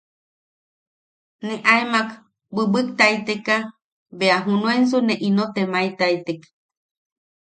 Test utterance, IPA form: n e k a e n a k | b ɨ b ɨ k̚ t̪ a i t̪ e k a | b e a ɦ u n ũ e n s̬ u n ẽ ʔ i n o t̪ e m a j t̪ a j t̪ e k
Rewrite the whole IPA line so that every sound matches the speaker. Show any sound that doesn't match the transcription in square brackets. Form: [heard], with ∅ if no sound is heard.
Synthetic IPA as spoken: n e [ʔ] a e [m] a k | b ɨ b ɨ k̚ t̪ a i t̪ e k a | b e a ɦ u n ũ e n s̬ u n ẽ ʔ i n o t̪ e m a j t̪ a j t̪ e k